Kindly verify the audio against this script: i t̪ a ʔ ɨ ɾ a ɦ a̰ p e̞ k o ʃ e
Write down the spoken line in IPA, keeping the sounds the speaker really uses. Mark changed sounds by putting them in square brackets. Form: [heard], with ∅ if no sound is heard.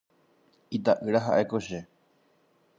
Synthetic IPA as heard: i t̪ a ʔ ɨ ɾ a ɦ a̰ [ʔ] e̞ k o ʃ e